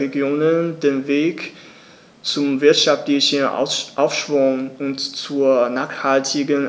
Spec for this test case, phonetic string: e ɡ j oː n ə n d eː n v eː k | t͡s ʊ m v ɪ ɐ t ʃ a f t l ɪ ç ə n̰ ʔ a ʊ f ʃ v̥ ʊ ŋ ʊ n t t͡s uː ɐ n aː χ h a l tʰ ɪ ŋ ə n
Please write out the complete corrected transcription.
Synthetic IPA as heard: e ɡ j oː n ə n d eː n v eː k | t͡s ʊ m v ɪ ɐ t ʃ a f t l ɪ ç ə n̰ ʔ a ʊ f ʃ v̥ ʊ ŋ ʊ n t t͡s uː ɐ n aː χ h a l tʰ ɪ ɡ ə n